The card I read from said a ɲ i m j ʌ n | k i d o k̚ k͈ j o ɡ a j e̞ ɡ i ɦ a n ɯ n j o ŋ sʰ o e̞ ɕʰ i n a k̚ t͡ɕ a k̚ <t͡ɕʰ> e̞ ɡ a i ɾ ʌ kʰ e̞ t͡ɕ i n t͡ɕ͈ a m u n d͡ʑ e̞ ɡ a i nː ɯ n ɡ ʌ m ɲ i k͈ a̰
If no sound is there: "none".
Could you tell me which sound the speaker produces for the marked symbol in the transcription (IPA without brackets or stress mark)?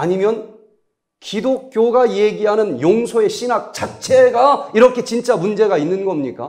t͡ɕʰ